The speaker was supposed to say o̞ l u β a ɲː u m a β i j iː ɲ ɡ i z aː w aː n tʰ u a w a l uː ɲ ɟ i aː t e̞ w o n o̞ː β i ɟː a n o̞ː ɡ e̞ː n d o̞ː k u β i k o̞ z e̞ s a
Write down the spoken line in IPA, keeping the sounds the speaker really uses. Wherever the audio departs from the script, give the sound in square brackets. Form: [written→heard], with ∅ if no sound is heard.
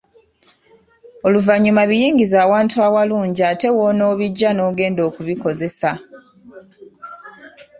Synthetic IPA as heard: o̞ l u [β→v] a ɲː u m a β i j iː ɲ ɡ i z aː w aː n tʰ u a w a l uː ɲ ɟ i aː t e̞ w o n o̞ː β i ɟː a n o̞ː ɡ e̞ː n d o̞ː k u β i k o̞ z e̞ s a

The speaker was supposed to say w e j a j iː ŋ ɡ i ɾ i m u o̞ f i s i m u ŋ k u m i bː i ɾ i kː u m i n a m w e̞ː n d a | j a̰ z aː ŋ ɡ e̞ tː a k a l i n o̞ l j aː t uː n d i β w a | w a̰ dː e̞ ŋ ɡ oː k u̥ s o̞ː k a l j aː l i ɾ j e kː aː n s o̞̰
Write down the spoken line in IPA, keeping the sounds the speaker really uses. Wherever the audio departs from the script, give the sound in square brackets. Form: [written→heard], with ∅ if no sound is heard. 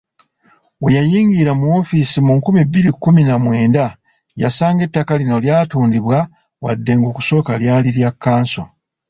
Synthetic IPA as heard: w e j a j iː ŋ ɡ i ɾ [i→a] m u o̞ f i s i m u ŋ k u m i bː i ɾ i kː u m i n a m w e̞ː n d a | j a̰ [z→s] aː ŋ ɡ e̞ tː a k a l i n o̞ l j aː t uː n d i β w a | w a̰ dː e̞ ŋ ɡ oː k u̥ s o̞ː k a l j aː l i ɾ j [e→a] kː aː n s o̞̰

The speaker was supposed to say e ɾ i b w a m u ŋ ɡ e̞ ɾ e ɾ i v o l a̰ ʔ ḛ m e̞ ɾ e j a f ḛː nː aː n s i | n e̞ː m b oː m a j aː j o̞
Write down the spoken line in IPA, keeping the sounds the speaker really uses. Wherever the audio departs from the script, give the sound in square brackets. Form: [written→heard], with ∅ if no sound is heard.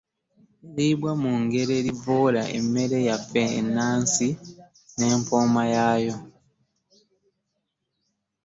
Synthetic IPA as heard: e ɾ i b w a m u ŋ ɡ e̞ ɾ e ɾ i v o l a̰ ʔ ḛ m e̞ ɾ e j a f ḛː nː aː n s i | n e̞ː m [b→p] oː m a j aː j o̞

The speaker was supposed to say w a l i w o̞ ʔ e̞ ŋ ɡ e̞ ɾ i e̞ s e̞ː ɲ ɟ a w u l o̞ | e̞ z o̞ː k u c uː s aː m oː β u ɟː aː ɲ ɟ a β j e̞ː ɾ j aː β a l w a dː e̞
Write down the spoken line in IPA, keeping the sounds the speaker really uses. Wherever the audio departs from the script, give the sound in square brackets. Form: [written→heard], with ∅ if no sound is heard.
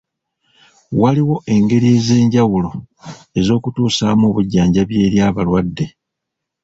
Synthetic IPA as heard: w a l i w o̞ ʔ e̞ ŋ ɡ e̞ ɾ i e̞ [s→z] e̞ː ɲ ɟ a w u l o̞ | e̞ z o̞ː k u [c→t] uː s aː m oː β u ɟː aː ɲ ɟ a β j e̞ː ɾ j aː β a l w a dː e̞

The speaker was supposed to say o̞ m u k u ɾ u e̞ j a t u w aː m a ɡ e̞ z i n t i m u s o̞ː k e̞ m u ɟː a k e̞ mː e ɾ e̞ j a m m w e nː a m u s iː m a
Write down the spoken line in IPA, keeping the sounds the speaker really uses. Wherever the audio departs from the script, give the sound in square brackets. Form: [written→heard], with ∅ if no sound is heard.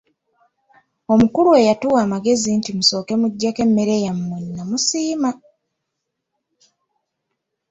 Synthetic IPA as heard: o̞ m u k u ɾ u e̞ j a t u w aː m a ɡ e̞ z i n t i m u s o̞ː k e̞ m u ɟː a k e̞ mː e ɾ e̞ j a m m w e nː a m u s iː m a

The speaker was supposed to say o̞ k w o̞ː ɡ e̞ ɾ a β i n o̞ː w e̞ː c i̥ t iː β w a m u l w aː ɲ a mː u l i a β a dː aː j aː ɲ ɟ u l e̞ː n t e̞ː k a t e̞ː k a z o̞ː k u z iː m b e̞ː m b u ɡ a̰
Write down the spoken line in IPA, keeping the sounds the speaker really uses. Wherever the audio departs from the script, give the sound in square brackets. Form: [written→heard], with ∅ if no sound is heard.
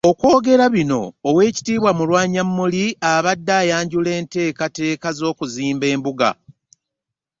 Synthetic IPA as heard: o̞ k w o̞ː ɡ e̞ ɾ a β i n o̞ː w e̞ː c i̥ t iː β w a m u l w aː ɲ a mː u l i a β a dː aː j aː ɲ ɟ u l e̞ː n t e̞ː k a t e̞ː k a z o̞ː k u z iː m b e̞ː m b u ɡ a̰

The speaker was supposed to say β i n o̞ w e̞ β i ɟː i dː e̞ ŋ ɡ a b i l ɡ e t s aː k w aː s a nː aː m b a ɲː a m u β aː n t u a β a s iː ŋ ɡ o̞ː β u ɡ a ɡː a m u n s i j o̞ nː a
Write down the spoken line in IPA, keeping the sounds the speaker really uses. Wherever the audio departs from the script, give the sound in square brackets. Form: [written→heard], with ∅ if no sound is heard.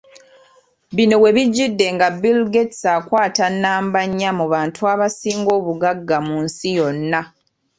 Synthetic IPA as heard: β i n o̞ w e̞ β i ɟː i dː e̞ ŋ ɡ a b i l ɡ e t s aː k w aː [s→t] a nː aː m b a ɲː a m u β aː n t u a β a s iː ŋ ɡ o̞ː β u ɡ a ɡː a m u n s i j o̞ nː a

